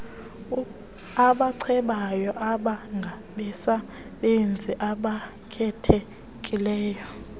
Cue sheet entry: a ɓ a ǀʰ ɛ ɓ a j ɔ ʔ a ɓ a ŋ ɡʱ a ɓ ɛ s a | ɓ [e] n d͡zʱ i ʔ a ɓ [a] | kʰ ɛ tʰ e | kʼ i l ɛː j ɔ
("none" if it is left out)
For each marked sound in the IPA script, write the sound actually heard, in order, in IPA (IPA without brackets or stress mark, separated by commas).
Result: e, a